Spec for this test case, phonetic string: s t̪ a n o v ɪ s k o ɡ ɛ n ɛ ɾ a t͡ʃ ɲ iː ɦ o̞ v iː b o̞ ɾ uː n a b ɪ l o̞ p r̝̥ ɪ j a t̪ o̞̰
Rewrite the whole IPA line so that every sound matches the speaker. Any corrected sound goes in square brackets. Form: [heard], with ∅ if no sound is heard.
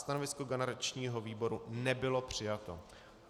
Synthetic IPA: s t̪ a n o v ɪ s k o ɡ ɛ n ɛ ɾ a t͡ʃ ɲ iː ɦ o̞ v iː b o̞ ɾ [u] n [ɛ] b ɪ l o̞ p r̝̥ ɪ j a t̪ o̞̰